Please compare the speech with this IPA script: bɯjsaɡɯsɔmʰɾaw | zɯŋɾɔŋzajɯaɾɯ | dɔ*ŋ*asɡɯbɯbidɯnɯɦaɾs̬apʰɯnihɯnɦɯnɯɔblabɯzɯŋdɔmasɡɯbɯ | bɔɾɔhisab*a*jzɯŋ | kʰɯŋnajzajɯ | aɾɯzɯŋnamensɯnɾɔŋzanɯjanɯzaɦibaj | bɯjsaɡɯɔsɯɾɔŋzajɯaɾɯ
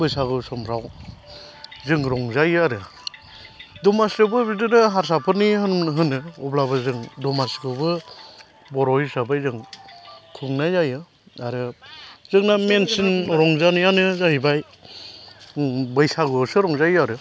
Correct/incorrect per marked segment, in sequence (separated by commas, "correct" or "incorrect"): incorrect, correct